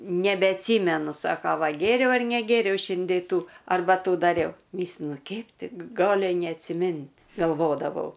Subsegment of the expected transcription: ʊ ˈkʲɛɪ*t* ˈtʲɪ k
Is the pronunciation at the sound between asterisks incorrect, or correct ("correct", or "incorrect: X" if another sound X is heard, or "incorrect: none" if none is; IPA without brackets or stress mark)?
incorrect: p